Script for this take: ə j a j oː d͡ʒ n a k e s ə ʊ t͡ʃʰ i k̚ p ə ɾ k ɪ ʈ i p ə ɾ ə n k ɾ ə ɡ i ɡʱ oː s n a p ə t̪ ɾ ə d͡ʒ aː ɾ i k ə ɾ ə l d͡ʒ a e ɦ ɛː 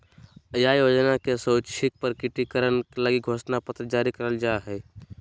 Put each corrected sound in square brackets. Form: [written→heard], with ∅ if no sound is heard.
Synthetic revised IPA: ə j a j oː d͡ʒ n a k e s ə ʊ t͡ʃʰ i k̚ p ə ɾ k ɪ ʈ i [p→k] ə ɾ ə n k [ɾ→l] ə ɡ i ɡʱ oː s n a p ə t̪ ɾ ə d͡ʒ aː ɾ i k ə ɾ ə l d͡ʒ a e ɦ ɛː

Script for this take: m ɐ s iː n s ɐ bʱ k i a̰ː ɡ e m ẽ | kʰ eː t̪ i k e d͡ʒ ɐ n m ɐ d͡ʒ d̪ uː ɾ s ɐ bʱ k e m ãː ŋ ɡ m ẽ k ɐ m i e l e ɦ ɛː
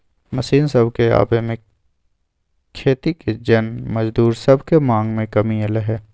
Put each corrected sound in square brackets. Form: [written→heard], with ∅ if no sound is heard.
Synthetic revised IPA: m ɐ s iː n s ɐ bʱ k [i→e] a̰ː [ɡ→b] e m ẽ | kʰ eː t̪ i k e d͡ʒ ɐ n m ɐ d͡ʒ d̪ uː ɾ s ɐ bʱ k e m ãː ŋ ɡ m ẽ k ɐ m i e l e ɦ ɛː

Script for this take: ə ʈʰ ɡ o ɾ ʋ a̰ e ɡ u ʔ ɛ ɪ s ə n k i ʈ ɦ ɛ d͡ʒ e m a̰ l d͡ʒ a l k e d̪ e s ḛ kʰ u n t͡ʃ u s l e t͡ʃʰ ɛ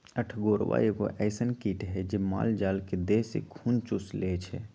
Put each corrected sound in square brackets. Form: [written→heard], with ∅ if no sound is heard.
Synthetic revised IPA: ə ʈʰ ɡ o ɾ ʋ a̰ e ɡ [u→o] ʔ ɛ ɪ s ə n k i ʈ ɦ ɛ d͡ʒ e m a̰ l d͡ʒ a l k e d̪ e s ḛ kʰ u n t͡ʃ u s l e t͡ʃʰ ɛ

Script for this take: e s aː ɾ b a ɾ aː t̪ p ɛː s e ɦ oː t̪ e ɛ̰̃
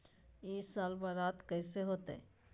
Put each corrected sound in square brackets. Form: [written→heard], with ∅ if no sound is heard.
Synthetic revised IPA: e s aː [ɾ→l] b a ɾ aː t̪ [p→k] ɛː s e ɦ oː t̪ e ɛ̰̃

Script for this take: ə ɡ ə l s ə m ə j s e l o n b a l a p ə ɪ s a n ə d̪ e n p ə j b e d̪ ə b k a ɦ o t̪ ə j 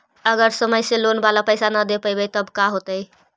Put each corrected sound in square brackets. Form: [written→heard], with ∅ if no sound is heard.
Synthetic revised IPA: ə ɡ ə [l→ɾ] s ə m ə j s e l o n b a l a p ə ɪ s a n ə d̪ e [n→∅] p ə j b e [d̪→t̪] ə b k a ɦ o t̪ ə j

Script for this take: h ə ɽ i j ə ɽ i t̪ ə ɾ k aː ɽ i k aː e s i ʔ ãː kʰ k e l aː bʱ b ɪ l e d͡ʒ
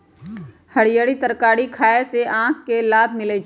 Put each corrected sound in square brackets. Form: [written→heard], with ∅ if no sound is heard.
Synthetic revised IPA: h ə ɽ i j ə ɽ i t̪ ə ɾ k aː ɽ i [k→kʰ] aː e s [i→e] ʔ ãː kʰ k e l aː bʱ [b→m] ɪ l e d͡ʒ

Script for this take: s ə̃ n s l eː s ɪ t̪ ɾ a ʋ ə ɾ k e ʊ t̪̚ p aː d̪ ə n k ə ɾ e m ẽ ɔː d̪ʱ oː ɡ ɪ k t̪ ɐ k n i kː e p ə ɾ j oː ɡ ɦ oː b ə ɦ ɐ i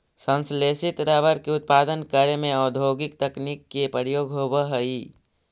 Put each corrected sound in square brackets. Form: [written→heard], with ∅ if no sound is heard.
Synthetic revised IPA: s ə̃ n s l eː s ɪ t̪ ɾ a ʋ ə ɾ k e ʊ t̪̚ p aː d̪ ə n k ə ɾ e m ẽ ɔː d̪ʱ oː ɡ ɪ k t̪ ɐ k n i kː e p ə ɾ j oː ɡ ɦ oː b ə ɦ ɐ i

